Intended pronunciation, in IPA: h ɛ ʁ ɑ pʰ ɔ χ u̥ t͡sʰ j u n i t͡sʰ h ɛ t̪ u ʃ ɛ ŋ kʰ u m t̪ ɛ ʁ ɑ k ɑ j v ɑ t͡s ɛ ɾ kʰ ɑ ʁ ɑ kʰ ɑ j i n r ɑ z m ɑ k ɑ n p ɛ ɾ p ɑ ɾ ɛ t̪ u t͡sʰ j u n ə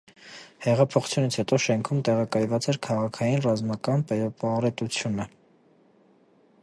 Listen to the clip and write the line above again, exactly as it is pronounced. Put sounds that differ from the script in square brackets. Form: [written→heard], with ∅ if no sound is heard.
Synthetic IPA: h ɛ ʁ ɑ pʰ ɔ χ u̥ t͡sʰ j u n i t͡sʰ h ɛ t̪ [u→ɔ] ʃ ɛ ŋ kʰ u m t̪ ɛ ʁ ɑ k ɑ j v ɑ t͡s ɛ ɾ kʰ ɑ ʁ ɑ kʰ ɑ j i n r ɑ z m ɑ k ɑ n p ɛ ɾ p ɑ ɾ ɛ t̪ u t͡sʰ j u n ə